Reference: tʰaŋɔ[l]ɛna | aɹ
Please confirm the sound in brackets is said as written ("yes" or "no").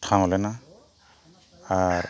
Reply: yes